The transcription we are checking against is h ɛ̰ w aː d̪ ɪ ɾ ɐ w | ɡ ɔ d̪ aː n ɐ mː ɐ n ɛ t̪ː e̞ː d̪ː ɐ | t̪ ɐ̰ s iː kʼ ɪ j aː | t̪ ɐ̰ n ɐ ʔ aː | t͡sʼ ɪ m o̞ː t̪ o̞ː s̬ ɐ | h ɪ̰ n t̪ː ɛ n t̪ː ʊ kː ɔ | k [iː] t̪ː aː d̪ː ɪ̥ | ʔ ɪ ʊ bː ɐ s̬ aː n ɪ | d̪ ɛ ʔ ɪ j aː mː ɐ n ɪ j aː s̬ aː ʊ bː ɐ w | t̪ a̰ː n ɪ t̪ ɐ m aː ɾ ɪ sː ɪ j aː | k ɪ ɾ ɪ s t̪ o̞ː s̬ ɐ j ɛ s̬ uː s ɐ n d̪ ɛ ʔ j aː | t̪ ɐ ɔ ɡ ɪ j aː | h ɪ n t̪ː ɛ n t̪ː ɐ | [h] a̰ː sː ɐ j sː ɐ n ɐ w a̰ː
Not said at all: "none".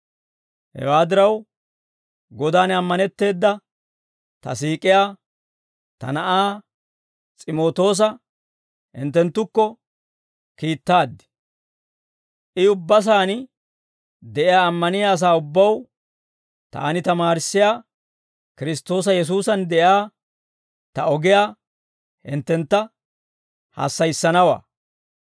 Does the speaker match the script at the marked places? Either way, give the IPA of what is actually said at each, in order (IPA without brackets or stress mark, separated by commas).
iː, h